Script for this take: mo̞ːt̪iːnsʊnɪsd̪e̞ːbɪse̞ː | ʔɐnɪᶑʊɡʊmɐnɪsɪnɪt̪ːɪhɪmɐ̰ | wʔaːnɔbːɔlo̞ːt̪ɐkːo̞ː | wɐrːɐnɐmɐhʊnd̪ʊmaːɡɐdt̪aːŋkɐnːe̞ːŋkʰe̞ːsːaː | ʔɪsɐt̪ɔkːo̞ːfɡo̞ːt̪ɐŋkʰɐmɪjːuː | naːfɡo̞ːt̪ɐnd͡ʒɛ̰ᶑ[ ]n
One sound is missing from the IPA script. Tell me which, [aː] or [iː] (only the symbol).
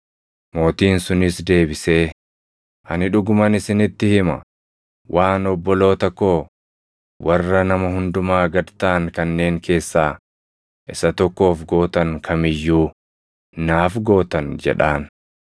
aː